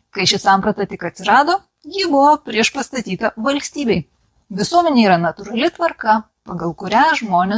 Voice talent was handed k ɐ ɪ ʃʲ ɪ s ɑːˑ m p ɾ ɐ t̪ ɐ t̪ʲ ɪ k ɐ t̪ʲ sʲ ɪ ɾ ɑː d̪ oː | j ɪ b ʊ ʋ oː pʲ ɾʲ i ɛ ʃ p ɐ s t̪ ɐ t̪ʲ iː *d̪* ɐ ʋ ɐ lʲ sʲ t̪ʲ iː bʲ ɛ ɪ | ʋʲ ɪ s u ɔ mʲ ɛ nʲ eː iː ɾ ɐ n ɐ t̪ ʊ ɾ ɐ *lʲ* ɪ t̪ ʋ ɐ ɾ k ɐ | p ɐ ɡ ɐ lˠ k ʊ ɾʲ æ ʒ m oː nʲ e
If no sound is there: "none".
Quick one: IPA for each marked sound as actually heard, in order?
t̪, lʲ

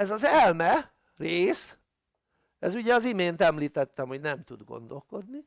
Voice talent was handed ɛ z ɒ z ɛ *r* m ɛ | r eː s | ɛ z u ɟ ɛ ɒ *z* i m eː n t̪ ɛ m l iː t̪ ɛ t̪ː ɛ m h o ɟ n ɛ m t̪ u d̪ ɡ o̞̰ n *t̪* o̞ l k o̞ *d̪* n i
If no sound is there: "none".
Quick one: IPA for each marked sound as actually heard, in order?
l, z, d̪, d̪

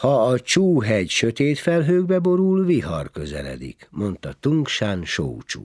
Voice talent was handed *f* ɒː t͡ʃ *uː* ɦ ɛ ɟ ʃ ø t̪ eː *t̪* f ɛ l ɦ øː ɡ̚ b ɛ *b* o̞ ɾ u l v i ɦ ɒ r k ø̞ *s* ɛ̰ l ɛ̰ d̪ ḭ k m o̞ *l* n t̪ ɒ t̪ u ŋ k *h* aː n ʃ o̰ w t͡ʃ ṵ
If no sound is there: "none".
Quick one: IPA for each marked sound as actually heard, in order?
h, uː, t̪, b, z, none, ʃ

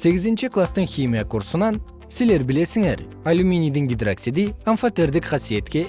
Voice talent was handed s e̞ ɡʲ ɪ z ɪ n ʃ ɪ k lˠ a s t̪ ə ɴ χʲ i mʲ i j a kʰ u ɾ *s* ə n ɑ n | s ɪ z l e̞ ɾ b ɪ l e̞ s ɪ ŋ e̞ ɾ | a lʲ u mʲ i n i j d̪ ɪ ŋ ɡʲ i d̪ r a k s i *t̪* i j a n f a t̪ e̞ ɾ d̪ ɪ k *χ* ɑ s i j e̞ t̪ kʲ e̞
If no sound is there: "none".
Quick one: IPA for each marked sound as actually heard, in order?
s, d̪, χ

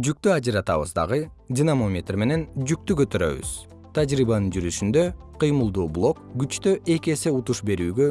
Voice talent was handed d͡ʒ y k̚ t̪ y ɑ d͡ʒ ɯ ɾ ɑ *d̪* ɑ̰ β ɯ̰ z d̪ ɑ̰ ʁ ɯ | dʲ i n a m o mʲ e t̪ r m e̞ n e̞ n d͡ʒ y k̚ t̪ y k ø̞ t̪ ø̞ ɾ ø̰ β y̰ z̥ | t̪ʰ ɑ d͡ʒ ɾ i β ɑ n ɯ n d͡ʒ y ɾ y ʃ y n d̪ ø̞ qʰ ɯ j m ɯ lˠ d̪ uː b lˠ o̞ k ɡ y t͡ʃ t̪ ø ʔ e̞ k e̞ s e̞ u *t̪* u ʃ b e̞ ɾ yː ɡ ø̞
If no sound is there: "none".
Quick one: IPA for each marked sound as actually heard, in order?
t̪, t̪

